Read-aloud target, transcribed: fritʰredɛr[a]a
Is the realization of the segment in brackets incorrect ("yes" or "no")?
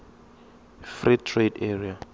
yes